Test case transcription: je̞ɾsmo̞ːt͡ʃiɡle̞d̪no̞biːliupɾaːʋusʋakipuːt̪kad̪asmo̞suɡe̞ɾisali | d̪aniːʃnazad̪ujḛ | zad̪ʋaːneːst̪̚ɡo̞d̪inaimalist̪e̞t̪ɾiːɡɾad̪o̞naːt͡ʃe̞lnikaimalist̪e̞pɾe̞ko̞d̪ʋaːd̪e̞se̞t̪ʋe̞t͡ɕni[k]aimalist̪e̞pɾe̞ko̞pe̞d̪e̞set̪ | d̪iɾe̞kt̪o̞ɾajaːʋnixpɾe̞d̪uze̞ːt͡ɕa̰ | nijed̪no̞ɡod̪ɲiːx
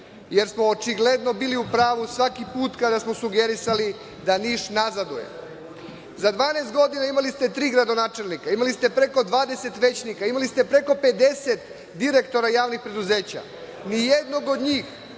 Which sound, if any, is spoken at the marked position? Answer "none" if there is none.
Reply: k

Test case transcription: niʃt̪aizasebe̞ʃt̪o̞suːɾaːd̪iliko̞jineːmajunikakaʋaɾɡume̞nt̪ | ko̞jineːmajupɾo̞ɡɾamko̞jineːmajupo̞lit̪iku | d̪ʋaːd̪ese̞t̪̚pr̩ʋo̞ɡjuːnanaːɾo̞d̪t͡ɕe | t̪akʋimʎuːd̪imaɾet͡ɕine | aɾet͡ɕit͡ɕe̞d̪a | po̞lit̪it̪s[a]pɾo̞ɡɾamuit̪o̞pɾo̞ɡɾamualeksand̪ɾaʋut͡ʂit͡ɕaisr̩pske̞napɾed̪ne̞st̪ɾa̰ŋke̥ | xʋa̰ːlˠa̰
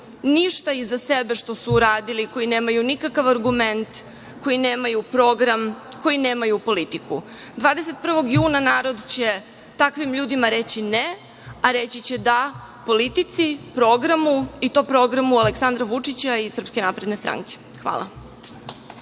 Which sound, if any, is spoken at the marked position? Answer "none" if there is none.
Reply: i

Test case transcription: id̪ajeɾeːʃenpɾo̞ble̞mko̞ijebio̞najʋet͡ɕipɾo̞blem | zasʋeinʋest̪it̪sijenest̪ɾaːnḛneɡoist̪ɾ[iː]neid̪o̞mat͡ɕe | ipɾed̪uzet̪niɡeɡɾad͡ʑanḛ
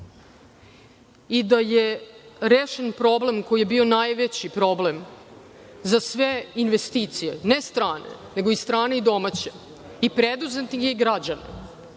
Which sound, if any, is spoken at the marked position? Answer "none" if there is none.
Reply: aː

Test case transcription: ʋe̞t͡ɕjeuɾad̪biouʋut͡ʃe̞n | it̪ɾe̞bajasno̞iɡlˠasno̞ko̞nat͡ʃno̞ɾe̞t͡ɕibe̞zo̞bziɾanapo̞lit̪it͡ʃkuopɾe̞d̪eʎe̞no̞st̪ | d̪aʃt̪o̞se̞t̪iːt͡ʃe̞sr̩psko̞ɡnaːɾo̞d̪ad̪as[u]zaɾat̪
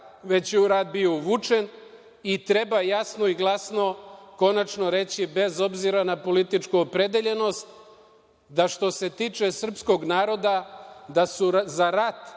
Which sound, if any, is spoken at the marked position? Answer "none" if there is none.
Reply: u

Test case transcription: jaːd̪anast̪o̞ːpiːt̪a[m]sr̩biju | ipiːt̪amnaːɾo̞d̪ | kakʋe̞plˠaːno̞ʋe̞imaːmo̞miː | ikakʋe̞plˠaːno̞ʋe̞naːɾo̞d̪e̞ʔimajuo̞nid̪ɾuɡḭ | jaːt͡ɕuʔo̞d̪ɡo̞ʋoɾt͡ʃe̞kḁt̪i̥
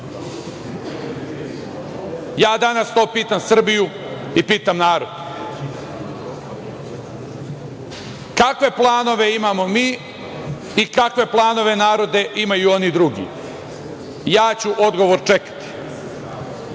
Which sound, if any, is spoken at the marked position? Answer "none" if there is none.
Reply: m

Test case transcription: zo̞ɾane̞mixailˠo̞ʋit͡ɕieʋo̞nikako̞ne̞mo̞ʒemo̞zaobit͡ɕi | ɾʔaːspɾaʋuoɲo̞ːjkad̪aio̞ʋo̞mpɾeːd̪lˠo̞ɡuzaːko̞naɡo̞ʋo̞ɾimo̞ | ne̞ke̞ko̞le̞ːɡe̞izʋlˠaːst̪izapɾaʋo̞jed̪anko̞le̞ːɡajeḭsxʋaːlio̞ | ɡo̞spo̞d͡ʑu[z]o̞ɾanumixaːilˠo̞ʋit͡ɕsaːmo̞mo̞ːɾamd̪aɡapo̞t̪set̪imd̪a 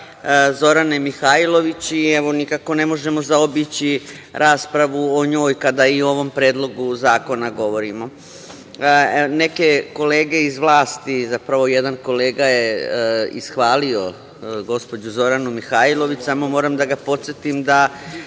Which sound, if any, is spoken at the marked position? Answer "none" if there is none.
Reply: z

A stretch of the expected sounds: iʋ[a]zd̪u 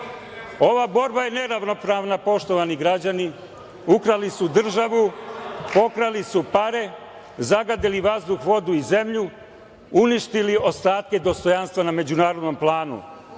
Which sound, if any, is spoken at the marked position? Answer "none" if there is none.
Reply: a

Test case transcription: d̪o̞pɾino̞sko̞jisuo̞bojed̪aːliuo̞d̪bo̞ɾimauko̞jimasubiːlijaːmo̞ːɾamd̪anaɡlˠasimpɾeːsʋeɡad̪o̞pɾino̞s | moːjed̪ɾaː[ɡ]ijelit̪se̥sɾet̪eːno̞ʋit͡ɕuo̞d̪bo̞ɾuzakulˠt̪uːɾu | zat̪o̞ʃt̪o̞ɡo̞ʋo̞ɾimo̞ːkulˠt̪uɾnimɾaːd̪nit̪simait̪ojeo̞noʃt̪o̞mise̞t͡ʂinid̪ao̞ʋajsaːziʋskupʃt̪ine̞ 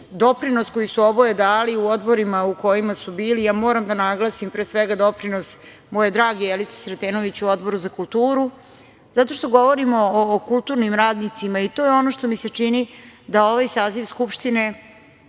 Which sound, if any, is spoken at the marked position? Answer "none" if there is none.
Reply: ɡ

